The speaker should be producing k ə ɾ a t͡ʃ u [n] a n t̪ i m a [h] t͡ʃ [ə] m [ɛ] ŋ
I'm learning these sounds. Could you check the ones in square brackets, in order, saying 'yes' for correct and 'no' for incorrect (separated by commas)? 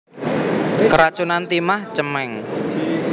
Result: yes, yes, yes, yes